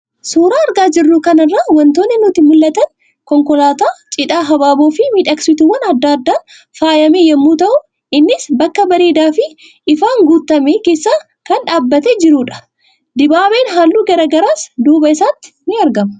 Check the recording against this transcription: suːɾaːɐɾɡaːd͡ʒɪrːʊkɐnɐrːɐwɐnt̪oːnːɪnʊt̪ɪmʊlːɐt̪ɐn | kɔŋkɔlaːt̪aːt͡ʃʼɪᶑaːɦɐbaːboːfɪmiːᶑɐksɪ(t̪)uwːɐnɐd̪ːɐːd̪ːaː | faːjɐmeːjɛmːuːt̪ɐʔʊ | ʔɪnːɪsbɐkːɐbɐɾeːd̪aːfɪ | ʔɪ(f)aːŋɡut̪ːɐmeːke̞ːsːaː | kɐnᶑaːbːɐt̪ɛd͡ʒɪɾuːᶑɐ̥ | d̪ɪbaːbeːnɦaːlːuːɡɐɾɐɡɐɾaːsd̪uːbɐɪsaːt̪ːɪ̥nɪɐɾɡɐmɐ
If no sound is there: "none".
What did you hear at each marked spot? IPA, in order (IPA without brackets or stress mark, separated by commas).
t̪, f